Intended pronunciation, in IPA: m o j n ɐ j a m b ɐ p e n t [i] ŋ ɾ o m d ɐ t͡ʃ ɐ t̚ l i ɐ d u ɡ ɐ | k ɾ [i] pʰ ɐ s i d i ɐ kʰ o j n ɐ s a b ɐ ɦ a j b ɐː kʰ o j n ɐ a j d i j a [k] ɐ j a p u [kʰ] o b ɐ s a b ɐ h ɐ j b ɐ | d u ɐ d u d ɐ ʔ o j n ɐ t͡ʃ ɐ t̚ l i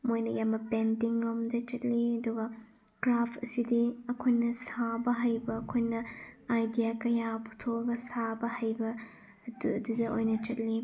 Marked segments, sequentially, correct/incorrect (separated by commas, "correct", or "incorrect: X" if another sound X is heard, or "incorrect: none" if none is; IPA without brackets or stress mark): correct, incorrect: a, correct, incorrect: tʰ